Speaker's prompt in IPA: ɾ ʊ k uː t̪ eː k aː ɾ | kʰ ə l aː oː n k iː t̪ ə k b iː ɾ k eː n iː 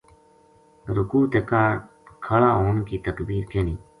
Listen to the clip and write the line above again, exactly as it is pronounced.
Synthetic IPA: ɾ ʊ k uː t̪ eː k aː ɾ | kʰ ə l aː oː n k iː t̪ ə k b iː ɾ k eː n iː